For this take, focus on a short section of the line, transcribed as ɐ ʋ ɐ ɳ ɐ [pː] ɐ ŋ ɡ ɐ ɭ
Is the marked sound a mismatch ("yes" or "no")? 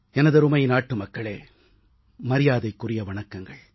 yes